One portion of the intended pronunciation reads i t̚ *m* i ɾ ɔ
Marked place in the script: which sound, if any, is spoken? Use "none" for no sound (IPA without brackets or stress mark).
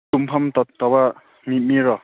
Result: m